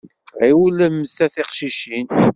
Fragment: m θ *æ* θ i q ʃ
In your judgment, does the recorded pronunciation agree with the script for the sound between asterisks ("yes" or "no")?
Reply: yes